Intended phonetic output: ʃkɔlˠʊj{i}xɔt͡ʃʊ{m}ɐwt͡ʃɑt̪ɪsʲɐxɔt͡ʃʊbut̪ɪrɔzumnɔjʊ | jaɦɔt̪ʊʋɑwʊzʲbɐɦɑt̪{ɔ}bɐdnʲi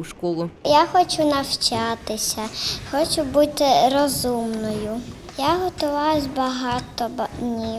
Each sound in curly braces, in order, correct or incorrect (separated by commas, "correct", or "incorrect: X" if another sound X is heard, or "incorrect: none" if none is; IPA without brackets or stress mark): incorrect: a, incorrect: n, correct